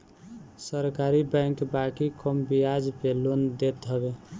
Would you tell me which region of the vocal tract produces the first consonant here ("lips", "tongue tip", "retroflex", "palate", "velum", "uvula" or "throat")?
tongue tip